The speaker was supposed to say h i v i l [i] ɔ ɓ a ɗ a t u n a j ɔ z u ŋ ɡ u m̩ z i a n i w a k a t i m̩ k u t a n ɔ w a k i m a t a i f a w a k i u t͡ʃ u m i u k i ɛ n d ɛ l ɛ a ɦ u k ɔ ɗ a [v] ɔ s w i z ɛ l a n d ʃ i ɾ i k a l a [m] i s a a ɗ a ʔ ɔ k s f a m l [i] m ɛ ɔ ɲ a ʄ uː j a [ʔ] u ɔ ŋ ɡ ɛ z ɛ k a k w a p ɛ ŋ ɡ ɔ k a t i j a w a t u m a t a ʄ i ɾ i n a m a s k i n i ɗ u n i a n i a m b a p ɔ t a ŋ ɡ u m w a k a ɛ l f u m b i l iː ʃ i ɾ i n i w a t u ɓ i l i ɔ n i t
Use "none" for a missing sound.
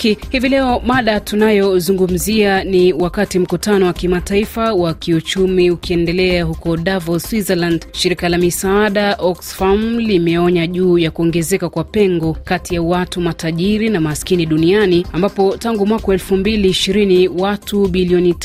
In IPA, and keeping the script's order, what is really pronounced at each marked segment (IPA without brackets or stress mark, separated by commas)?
ɛ, v, m, i, k